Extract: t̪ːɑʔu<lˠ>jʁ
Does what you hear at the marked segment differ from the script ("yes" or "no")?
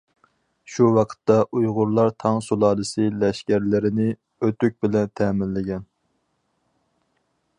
yes